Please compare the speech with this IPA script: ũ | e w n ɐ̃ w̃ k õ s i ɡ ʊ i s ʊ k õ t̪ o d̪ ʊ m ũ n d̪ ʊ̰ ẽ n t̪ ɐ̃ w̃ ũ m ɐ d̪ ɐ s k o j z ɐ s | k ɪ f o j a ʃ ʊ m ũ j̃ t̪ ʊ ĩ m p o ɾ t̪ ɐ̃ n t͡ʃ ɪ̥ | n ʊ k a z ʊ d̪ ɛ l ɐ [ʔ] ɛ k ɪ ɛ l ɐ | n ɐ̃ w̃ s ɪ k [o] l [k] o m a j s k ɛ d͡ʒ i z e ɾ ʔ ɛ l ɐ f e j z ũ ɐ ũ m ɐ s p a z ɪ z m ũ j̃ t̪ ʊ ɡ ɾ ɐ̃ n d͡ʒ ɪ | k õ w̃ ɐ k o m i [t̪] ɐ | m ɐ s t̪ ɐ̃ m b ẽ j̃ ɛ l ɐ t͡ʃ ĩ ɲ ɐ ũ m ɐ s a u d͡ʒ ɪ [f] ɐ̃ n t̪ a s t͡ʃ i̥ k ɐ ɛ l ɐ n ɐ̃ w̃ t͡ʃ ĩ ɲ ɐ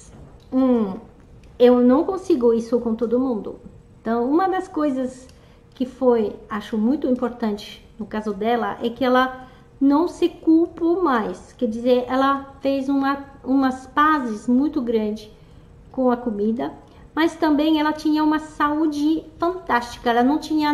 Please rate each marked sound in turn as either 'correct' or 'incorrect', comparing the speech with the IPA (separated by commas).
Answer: correct, incorrect, incorrect, incorrect, correct